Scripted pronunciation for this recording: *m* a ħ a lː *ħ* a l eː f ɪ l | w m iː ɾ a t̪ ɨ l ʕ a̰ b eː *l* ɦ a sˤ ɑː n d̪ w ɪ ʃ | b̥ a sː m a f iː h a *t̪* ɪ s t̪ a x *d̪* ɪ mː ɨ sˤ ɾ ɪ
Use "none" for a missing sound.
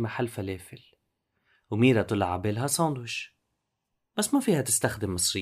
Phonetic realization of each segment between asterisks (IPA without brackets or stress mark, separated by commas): m, f, l, t̪, d̪